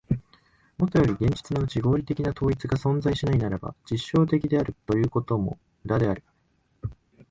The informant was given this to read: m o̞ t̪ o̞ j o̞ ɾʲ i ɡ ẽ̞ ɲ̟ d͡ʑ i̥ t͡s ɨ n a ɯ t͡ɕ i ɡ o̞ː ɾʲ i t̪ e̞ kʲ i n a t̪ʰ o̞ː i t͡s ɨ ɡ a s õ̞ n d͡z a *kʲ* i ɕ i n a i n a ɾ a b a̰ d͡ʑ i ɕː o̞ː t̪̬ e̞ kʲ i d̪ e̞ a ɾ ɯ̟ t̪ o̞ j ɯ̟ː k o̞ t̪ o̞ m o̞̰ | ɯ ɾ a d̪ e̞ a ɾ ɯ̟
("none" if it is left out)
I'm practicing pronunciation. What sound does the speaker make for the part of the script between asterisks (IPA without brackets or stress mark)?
none